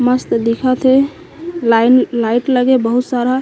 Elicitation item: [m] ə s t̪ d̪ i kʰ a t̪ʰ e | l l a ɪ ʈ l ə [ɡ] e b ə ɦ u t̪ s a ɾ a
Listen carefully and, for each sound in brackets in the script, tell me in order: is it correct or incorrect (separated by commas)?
correct, correct